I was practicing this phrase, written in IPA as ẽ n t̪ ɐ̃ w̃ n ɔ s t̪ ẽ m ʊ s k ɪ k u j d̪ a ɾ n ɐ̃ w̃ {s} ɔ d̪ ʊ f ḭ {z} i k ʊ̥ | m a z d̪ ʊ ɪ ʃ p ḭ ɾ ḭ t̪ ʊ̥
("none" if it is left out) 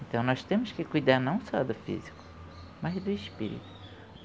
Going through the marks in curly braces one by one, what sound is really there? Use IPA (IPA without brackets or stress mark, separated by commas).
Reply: s, z